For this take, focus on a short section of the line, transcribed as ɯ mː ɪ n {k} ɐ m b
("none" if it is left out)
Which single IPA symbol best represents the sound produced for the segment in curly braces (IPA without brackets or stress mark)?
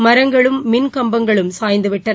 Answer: k